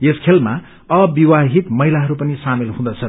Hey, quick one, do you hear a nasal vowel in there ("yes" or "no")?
yes